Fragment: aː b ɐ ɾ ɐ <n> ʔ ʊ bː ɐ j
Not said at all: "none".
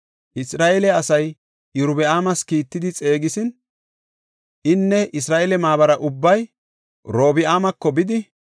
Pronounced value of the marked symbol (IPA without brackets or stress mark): none